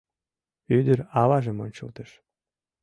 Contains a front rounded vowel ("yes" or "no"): yes